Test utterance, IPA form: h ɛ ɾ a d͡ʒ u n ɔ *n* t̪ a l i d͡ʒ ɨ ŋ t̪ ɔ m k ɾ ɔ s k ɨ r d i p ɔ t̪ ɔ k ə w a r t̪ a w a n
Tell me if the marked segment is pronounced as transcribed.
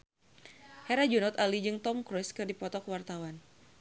no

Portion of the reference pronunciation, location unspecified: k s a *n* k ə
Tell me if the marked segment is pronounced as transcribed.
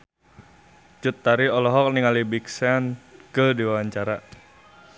yes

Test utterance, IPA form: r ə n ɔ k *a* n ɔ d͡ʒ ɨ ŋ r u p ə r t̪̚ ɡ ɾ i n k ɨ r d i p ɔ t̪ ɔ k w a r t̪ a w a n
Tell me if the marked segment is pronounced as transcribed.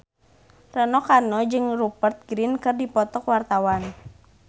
yes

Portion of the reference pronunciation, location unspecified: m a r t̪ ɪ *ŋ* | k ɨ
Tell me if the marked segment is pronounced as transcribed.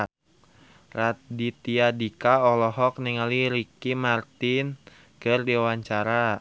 no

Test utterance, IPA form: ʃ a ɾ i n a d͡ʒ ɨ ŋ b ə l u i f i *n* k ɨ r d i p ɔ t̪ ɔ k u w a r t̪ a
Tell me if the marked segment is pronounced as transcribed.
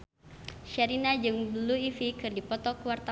no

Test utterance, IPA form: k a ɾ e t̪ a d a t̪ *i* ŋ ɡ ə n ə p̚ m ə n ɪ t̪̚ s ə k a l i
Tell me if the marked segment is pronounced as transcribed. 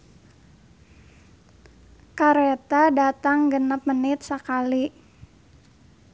no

